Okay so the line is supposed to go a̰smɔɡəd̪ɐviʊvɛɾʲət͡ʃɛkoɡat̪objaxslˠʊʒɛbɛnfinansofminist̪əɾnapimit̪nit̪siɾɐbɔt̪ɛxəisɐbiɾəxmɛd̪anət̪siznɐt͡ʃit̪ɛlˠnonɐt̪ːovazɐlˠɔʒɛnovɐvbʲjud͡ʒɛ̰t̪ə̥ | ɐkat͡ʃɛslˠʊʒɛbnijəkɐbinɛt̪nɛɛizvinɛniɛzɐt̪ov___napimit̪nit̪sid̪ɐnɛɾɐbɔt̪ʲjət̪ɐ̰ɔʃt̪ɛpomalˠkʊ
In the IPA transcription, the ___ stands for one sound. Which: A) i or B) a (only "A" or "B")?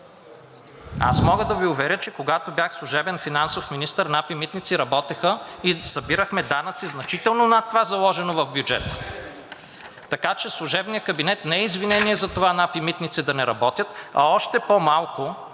B